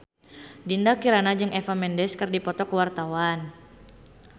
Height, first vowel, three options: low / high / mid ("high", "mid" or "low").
high